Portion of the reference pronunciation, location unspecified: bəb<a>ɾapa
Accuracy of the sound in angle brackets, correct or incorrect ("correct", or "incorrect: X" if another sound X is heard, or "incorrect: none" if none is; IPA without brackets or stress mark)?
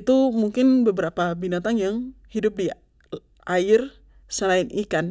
incorrect: ə